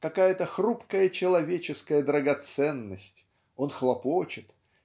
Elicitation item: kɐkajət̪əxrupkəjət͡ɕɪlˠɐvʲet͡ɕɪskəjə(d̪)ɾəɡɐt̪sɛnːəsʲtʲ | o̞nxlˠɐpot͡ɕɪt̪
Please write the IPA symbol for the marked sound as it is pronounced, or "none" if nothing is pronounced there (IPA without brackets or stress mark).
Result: d̪